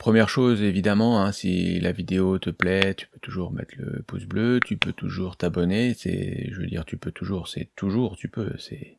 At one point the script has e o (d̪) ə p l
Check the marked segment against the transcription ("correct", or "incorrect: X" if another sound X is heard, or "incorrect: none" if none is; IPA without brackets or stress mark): incorrect: t̪